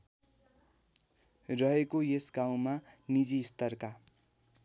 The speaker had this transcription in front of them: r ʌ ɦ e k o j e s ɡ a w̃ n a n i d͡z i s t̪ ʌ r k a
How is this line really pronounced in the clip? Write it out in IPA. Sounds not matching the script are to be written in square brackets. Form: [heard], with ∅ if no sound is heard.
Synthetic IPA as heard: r ʌ ɦ e k o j e s ɡ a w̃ [m] a n i d͡z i s t̪ ʌ r k a